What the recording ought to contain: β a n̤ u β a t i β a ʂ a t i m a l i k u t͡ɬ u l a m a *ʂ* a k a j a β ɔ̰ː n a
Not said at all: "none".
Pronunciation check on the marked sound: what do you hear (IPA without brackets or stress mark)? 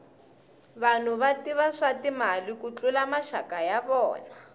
ʃ